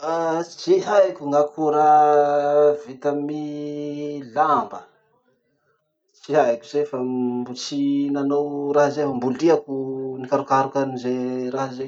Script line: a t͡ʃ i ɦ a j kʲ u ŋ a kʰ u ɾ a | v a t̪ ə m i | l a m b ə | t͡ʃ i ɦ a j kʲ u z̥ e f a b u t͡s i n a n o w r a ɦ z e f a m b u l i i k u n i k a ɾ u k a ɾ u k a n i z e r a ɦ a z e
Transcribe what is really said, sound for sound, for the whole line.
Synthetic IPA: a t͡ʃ i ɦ a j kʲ u ŋ a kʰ u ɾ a | v i t̪ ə m i | l a m b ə | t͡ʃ i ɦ a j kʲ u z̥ e f a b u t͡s i n a n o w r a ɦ z e f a m b u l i a k u n i k a ɾ u k a ɾ u k a n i z e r a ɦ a z e